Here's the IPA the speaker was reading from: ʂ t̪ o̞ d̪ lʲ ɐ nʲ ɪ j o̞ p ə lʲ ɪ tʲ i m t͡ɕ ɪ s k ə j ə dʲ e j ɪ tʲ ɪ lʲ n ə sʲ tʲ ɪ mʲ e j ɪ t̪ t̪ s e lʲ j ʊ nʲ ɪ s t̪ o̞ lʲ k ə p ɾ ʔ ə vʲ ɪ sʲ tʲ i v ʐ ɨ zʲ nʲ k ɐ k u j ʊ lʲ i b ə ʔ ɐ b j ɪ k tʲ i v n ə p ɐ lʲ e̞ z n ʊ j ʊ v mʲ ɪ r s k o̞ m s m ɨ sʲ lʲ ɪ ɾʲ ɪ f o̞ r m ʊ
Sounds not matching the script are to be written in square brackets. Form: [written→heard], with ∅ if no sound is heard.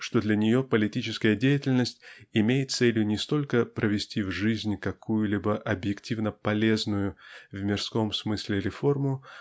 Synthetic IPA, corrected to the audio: ʂ t̪ o̞ d̪ lʲ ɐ nʲ ɪ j o̞ p ə lʲ ɪ tʲ i [m→∅] t͡ɕ ɪ s k ə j ə dʲ e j ɪ tʲ ɪ lʲ n ə sʲ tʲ ɪ mʲ e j ɪ t̪ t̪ s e lʲ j ʊ nʲ ɪ s t̪ o̞ lʲ k ə p ɾ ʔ ə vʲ ɪ sʲ tʲ i v ʐ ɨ zʲ nʲ k ɐ k u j ʊ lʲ i b ə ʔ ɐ b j ɪ k tʲ i v n ə p ɐ lʲ e̞ z n ʊ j ʊ v mʲ ɪ r s k o̞ m s m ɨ sʲ lʲ ɪ ɾʲ ɪ f o̞ r m ʊ